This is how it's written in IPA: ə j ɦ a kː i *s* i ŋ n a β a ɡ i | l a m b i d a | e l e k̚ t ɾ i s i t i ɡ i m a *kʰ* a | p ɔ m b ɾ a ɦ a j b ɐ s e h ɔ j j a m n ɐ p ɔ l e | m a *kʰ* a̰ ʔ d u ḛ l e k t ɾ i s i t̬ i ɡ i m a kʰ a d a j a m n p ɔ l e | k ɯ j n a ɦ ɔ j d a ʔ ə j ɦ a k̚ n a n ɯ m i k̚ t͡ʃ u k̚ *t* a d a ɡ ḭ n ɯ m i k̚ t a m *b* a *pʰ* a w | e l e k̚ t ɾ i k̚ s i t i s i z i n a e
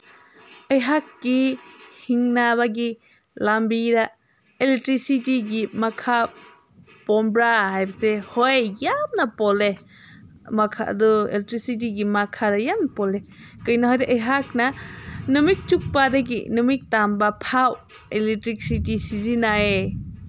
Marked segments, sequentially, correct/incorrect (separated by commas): incorrect, correct, correct, incorrect, correct, correct